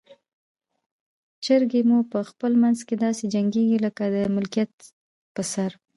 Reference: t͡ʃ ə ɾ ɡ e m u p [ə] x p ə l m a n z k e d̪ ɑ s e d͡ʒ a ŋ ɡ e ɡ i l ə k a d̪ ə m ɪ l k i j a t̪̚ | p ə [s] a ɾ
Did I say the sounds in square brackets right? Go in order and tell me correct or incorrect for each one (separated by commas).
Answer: correct, correct